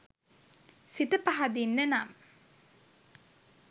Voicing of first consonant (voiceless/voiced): voiceless